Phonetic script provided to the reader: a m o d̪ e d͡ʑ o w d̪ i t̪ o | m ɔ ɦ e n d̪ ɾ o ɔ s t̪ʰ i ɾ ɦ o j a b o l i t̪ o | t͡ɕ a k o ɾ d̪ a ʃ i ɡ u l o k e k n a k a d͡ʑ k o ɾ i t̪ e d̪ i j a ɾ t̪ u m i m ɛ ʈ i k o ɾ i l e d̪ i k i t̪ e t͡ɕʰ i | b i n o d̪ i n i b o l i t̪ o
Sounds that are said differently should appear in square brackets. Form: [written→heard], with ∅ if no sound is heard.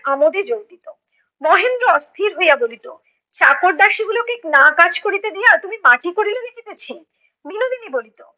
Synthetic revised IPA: a m o d̪ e d͡ʑ o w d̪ i t̪ o | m ɔ ɦ e n d̪ ɾ o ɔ s t̪ʰ i ɾ ɦ o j a b o l i t̪ o | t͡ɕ a k o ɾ d̪ a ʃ i ɡ u l o k e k n a k a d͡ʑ k o ɾ i t̪ e d̪ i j a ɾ t̪ u m i m [ɛ→a] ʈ i k o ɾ i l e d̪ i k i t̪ e t͡ɕʰ i | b i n o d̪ i n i b o l i t̪ o

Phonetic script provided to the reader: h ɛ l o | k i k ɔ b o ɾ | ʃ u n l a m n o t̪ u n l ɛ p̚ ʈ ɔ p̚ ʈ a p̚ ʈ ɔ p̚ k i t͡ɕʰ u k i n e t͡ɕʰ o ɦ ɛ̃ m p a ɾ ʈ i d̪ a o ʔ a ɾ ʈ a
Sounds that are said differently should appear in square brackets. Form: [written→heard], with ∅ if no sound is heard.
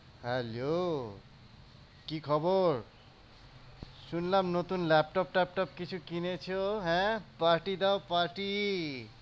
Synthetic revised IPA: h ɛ l o | k i [k→kʰ] ɔ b o ɾ | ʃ u n l a m n o t̪ u n l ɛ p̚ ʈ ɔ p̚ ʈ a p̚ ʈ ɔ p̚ k i t͡ɕʰ u k i n e t͡ɕʰ o ɦ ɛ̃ [m→∅] p a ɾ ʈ i d̪ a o [ʔ→p] a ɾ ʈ [a→i]

